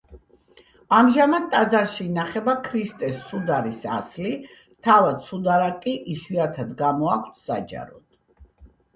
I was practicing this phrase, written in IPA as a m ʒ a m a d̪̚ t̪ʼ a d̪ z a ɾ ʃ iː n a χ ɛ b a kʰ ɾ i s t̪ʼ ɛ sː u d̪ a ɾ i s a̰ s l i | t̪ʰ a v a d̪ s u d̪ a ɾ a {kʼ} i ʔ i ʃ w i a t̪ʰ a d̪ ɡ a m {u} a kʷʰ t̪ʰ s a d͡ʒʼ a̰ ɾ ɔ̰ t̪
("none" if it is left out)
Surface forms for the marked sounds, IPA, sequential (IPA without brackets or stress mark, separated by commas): kʼ, ɔ